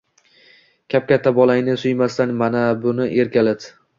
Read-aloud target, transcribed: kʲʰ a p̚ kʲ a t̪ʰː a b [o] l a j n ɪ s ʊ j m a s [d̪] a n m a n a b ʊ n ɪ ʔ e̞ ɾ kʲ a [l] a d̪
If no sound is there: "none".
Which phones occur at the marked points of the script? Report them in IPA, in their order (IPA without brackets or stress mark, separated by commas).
ɒ, t̪, l